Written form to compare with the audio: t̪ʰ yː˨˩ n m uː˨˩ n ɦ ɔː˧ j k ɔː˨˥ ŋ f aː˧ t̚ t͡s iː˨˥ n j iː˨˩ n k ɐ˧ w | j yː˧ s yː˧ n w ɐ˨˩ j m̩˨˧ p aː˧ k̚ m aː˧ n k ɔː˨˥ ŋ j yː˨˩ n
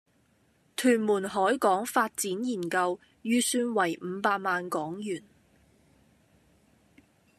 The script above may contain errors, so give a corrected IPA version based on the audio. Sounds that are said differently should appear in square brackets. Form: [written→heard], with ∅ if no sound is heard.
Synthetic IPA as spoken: t̪ʰ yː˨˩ n m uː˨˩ n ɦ [ɔː˧→ɔː˨˥] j k ɔː˨˥ ŋ f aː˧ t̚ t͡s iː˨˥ n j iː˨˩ n k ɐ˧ w | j yː˧ s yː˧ n w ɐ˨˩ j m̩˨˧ p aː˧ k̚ m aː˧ n k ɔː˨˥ ŋ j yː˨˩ n